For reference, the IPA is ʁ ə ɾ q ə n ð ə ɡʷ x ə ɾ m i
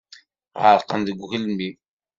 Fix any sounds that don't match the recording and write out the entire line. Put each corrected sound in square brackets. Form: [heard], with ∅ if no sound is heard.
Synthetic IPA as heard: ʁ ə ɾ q ə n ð ə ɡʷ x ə [l] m i